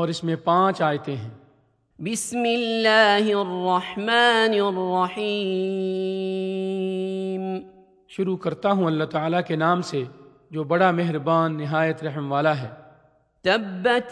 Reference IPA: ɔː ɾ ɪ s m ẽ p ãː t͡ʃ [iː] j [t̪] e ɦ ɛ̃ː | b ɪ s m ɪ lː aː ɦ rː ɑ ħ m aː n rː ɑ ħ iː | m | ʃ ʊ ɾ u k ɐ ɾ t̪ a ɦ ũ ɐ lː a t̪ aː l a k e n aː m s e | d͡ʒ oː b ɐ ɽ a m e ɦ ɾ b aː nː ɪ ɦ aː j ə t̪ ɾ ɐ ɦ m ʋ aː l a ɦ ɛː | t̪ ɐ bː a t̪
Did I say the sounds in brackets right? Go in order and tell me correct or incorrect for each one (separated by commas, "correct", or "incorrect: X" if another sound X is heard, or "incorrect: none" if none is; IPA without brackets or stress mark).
incorrect: aː, correct